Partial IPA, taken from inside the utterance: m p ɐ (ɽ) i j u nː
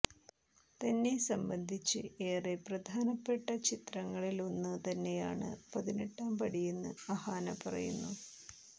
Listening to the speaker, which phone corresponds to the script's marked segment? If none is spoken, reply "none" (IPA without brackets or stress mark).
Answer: ɽ